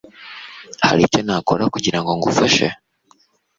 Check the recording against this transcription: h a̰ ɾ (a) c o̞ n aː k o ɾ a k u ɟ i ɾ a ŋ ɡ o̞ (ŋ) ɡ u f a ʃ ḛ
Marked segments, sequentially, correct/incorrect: incorrect, correct

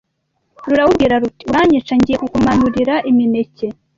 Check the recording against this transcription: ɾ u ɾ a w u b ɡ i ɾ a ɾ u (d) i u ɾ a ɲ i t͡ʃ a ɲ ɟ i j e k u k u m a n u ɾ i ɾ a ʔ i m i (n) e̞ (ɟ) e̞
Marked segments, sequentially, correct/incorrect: incorrect, correct, incorrect

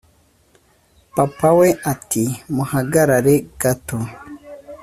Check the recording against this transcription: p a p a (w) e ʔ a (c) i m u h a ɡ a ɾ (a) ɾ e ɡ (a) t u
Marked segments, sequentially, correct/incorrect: correct, incorrect, correct, correct

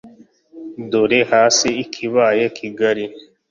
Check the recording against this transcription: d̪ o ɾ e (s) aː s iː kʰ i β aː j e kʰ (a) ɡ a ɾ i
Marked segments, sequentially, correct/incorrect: incorrect, incorrect

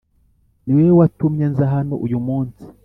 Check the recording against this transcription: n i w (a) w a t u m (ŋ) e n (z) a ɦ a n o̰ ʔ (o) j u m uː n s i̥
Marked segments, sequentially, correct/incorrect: incorrect, incorrect, correct, incorrect

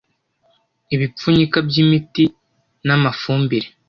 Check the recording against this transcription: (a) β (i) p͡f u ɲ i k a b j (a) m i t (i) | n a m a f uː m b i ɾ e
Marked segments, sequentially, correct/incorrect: incorrect, correct, incorrect, correct

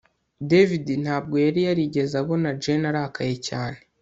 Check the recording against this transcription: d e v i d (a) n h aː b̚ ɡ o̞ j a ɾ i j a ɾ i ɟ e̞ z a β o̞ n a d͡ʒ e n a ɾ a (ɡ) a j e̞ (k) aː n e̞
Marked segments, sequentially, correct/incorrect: incorrect, incorrect, incorrect

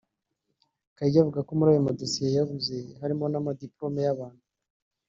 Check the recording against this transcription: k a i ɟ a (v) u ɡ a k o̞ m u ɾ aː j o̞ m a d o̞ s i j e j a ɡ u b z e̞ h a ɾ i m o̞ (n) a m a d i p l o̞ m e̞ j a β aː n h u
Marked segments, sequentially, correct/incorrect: correct, correct

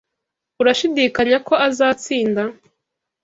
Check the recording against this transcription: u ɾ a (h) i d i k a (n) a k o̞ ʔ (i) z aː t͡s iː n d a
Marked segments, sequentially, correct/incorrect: incorrect, incorrect, incorrect

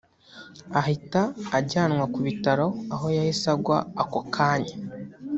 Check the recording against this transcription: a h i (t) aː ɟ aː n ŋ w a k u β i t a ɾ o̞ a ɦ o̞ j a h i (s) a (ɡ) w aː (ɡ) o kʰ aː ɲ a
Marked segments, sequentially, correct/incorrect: correct, correct, correct, incorrect

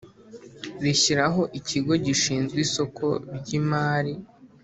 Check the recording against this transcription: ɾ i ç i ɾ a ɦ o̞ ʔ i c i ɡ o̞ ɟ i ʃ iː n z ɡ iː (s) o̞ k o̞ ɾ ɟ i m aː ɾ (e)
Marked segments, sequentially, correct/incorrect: correct, incorrect

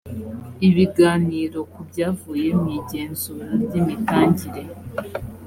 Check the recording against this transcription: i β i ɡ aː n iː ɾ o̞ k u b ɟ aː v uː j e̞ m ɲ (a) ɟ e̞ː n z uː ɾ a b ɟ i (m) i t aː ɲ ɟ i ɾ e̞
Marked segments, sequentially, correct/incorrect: incorrect, correct

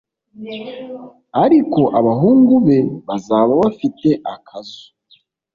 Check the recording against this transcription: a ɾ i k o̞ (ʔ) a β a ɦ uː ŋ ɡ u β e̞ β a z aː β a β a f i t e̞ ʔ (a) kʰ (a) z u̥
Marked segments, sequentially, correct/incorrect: correct, correct, correct

